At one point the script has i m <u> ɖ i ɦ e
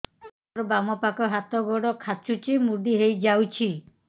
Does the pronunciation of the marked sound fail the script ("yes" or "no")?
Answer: no